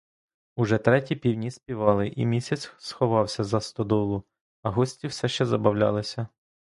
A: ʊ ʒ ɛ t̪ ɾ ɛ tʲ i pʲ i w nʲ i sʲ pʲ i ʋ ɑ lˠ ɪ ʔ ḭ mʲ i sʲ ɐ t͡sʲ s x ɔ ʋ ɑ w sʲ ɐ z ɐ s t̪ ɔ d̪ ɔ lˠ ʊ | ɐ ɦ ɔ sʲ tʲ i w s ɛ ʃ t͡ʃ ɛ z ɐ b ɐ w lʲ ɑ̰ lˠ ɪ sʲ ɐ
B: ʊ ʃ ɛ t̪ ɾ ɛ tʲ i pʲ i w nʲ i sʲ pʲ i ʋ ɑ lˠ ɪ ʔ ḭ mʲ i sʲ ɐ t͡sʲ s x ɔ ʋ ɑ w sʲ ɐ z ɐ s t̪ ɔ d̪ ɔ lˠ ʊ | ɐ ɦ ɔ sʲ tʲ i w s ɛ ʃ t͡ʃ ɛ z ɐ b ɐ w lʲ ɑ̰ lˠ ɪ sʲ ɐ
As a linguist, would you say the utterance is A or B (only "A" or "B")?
A